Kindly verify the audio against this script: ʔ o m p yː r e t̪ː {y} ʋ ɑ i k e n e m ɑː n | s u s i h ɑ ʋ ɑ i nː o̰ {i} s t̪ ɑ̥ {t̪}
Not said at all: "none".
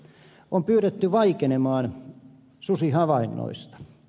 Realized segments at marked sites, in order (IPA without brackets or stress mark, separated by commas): y, i, none